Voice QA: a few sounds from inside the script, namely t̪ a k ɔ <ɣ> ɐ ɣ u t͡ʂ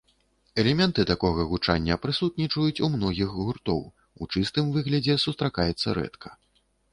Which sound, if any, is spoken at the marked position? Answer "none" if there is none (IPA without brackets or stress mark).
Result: ɣ